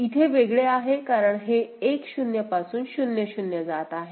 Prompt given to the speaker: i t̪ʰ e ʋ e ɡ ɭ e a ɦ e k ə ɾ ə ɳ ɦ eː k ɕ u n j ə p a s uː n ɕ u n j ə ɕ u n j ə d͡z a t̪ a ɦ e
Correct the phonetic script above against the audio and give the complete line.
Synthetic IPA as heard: i t̪ʰ e ʋ e ɡ ɭ e a ɦ e k a ɾ ə ɳ ɦ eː k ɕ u n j ə p a s uː n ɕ u n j ə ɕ u n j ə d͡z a t̪ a ɦ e